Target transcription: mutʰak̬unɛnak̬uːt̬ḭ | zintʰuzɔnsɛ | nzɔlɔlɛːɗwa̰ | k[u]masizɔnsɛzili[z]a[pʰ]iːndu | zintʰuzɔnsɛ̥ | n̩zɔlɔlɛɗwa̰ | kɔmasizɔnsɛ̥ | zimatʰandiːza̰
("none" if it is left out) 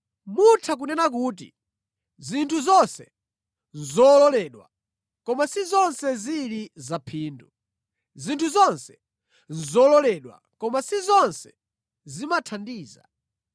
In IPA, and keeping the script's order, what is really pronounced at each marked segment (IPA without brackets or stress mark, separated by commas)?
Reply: ɔ, z, pʰ